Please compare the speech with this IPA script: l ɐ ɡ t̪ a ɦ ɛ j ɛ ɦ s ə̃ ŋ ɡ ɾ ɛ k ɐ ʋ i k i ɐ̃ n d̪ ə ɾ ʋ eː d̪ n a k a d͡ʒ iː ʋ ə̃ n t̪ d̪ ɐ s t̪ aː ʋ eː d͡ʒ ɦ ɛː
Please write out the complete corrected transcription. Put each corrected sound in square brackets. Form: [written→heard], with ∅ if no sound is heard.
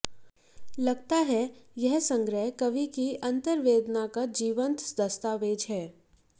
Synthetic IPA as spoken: l ɐ ɡ t̪ a ɦ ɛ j ɛ ɦ s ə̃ ŋ ɡ ɾ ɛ k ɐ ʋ i k i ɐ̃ n [d̪→t̪] ə ɾ ʋ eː d̪ n a k a d͡ʒ iː ʋ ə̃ n t̪ d̪ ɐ s t̪ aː ʋ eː d͡ʒ ɦ ɛː